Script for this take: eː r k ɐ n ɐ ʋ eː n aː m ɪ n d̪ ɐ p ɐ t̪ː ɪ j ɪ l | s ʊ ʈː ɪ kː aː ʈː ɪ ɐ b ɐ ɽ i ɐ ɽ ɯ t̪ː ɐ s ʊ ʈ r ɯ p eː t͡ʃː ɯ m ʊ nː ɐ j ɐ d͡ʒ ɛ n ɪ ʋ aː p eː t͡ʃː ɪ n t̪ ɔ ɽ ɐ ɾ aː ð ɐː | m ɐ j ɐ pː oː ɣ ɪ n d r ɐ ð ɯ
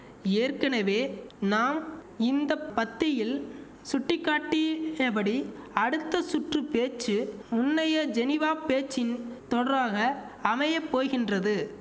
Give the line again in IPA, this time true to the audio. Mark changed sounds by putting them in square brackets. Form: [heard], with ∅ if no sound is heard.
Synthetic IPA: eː r k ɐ n ɐ ʋ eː n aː m ɪ n d̪ ɐ p ɐ t̪ː ɪ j ɪ l | s ʊ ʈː ɪ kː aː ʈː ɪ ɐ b ɐ ɽ i ɐ ɽ ɯ t̪ː ɐ s ʊ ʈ r ɯ p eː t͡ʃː ɯ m ʊ nː ɐ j ɐ d͡ʒ ɛ n ɪ ʋ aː p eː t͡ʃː ɪ n t̪ ɔ ɽ ɐ ɾ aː [ɣ] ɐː | m ɐ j ɐ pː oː ɣ ɪ n d r ɐ ð ɯ

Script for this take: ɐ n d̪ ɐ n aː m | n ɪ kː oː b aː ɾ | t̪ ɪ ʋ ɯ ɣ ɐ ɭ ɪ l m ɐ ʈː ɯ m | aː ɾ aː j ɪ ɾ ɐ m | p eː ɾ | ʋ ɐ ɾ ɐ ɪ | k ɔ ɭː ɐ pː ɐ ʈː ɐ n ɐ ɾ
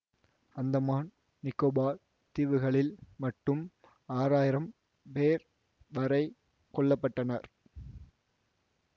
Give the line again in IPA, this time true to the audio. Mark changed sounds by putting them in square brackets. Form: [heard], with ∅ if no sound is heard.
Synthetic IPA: ɐ n d̪ ɐ [m] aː [n] | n ɪ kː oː b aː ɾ | t̪ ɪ ʋ ɯ ɣ ɐ ɭ ɪ l m ɐ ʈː ɯ m | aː ɾ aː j ɪ ɾ ɐ m | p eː ɾ | ʋ ɐ ɾ ɐ ɪ | k ɔ ɭː ɐ pː ɐ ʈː ɐ n ɐ ɾ

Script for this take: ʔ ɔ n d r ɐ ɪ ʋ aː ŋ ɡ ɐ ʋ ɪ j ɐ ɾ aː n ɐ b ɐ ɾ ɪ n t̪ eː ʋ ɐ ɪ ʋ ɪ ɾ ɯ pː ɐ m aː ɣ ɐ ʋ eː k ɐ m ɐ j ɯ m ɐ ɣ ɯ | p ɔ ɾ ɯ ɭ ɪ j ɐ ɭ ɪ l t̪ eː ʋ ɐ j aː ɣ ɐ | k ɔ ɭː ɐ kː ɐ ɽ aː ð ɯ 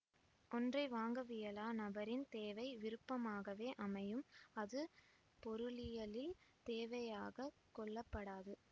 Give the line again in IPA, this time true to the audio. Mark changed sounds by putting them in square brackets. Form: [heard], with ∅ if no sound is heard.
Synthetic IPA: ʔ ɔ n d r ɐ ɪ ʋ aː ŋ ɡ ɐ ʋ ɪ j ɐ [l] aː n ɐ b ɐ ɾ ɪ n t̪ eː ʋ ɐ ɪ ʋ ɪ ɾ ɯ pː ɐ m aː ɣ ɐ ʋ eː [ʔ] ɐ m ɐ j ɯ m ɐ [ð] ɯ | p ɔ ɾ ɯ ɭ ɪ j ɐ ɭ ɪ l t̪ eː ʋ ɐ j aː ɣ ɐ | k ɔ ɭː ɐ [pː] ɐ ɽ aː ð ɯ

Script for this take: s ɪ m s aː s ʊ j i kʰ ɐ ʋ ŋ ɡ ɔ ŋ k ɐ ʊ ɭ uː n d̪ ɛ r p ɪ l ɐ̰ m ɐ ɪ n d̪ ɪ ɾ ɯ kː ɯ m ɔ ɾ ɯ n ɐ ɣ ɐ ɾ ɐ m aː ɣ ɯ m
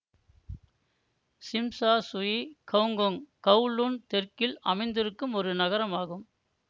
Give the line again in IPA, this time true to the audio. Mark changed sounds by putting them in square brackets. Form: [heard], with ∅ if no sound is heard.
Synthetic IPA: s ɪ m s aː s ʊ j i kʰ ɐ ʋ ŋ ɡ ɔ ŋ k ɐ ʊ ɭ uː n [t̪] ɛ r [k] ɪ l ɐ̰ m ɐ ɪ n d̪ ɪ ɾ ɯ kː ɯ m ɔ ɾ ɯ n ɐ ɣ ɐ ɾ ɐ m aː ɣ ɯ m

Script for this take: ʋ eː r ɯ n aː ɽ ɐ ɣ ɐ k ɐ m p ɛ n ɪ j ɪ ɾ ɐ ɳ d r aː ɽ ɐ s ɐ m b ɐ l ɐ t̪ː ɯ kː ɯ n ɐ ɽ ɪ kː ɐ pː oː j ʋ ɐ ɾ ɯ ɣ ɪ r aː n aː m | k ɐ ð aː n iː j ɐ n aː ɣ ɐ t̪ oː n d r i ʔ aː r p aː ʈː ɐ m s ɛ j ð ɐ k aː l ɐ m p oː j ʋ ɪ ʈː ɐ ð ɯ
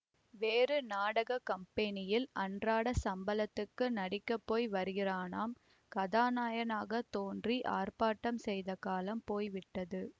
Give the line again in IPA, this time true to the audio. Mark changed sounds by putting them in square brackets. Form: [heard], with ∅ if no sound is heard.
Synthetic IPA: ʋ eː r ɯ n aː ɽ ɐ ɣ ɐ k ɐ m p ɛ n ɪ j ɪ [l] ɐ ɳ d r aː ɽ ɐ s ɐ m b ɐ l ɐ t̪ː ɯ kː ɯ n ɐ ɽ ɪ kː ɐ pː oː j ʋ ɐ ɾ ɯ ɣ ɪ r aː n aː m | k ɐ ð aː n [aː] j ɐ n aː ɣ ɐ t̪ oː n d r i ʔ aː r p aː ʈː ɐ m s ɛ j ð ɐ k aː l ɐ m p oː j ʋ ɪ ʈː ɐ ð ɯ

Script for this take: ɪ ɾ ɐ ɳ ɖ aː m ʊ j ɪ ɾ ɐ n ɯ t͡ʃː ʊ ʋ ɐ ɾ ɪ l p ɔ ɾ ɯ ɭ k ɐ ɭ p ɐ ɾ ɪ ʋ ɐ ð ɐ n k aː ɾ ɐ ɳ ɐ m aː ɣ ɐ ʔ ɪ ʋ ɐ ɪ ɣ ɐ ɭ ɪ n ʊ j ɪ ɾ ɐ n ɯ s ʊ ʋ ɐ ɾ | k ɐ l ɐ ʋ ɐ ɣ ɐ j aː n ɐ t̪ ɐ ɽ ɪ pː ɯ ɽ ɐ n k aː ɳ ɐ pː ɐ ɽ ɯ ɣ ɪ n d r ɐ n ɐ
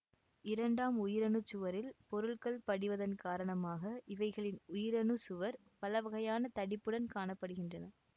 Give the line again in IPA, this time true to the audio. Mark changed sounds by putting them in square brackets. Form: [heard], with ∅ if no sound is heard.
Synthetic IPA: ɪ ɾ ɐ ɳ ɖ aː m ʊ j ɪ ɾ ɐ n ɯ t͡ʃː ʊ ʋ ɐ ɾ ɪ l p ɔ ɾ ɯ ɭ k ɐ ɭ p ɐ [ɽ] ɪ ʋ ɐ ð ɐ n k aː ɾ ɐ ɳ ɐ m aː ɣ ɐ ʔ ɪ ʋ ɐ ɪ ɣ ɐ ɭ ɪ n ʊ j ɪ ɾ ɐ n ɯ s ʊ ʋ ɐ ɾ | [p] ɐ l ɐ ʋ ɐ ɣ ɐ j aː n ɐ t̪ ɐ ɽ ɪ pː ɯ ɽ ɐ n k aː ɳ ɐ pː ɐ ɽ ɯ ɣ ɪ n d r ɐ n ɐ

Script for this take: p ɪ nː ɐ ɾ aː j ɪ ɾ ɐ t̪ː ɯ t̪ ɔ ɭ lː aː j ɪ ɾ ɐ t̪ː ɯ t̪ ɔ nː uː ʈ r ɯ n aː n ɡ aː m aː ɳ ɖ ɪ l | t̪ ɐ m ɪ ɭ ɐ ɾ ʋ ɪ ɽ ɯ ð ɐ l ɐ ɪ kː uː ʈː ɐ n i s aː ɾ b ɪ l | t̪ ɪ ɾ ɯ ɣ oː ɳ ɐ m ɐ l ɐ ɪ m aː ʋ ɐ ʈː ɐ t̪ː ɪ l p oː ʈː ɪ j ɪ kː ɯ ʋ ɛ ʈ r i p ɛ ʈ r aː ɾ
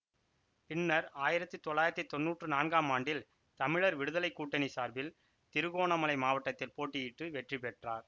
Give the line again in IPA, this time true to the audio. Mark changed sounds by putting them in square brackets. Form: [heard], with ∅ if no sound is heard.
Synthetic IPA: p ɪ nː ɐ ɾ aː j ɪ ɾ ɐ t̪ː ɯ t̪ ɔ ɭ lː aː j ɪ ɾ ɐ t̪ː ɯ t̪ ɔ nː uː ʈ r ɯ n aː n ɡ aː m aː ɳ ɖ ɪ l | t̪ ɐ m ɪ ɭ ɐ ɾ ʋ ɪ ɽ ɯ ð ɐ l ɐ ɪ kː uː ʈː ɐ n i s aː ɾ b ɪ l | t̪ ɪ ɾ ɯ ɣ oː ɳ ɐ m ɐ l ɐ ɪ m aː ʋ ɐ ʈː ɐ t̪ː ɪ l p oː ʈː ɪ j ɪ [ʈː] ɯ ʋ ɛ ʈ r i p ɛ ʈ r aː ɾ

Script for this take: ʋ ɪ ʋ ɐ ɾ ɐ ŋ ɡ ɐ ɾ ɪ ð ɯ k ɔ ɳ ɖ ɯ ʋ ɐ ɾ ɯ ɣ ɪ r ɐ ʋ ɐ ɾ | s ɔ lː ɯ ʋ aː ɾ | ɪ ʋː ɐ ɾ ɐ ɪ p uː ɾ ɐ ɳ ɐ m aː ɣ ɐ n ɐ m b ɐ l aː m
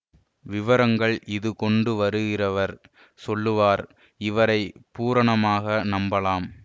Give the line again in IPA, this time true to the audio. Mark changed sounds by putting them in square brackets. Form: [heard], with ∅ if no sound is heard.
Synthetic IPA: ʋ ɪ ʋ ɐ ɾ ɐ ŋ ɡ ɐ [ɭ] ɪ ð ɯ k ɔ ɳ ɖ ɯ ʋ ɐ ɾ ɯ ɣ ɪ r ɐ ʋ ɐ ɾ | s ɔ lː ɯ ʋ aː ɾ | ɪ [ʋ] ɐ ɾ ɐ ɪ p uː ɾ ɐ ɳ ɐ m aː ɣ ɐ n ɐ m b ɐ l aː m

